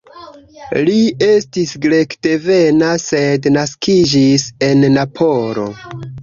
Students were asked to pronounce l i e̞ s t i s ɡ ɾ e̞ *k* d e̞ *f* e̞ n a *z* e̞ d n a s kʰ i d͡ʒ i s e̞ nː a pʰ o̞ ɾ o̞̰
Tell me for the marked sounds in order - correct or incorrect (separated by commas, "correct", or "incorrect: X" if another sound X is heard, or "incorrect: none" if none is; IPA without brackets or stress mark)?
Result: correct, incorrect: v, incorrect: s